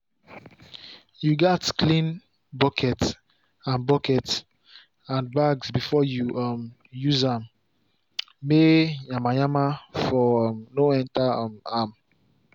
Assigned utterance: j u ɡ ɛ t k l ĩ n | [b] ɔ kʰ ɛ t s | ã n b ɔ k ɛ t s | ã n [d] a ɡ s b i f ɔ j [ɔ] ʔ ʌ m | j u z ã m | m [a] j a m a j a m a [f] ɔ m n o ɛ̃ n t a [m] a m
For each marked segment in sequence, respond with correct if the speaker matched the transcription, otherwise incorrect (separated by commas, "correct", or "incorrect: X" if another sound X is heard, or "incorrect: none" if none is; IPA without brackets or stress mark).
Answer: correct, incorrect: b, incorrect: u, incorrect: e, correct, correct